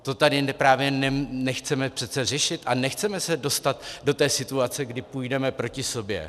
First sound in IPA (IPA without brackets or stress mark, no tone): t̪